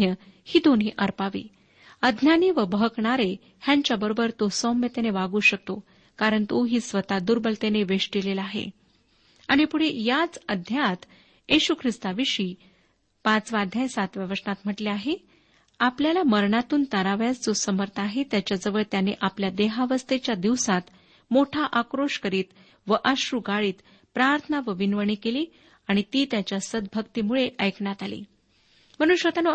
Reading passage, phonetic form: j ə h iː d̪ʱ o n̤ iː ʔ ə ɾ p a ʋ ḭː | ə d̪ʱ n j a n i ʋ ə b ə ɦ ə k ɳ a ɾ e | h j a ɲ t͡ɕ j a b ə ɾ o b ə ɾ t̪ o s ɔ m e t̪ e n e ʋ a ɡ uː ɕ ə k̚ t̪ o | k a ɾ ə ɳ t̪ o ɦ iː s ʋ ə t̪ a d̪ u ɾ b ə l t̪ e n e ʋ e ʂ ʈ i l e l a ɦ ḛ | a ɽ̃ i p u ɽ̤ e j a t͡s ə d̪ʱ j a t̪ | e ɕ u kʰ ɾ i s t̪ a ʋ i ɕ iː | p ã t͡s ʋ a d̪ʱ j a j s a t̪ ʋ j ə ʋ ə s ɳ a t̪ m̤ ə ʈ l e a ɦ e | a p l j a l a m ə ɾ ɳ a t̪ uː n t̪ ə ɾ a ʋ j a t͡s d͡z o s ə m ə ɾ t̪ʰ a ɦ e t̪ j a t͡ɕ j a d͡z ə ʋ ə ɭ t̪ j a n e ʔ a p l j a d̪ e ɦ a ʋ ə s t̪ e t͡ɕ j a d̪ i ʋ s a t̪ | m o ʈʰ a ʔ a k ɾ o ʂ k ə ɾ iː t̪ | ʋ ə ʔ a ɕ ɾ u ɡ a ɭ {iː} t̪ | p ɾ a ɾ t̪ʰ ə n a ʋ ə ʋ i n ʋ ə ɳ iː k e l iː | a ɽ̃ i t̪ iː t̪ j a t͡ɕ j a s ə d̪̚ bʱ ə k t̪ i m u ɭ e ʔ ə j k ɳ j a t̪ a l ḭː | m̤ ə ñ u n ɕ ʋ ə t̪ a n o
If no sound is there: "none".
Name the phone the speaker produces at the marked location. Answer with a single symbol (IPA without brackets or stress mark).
iː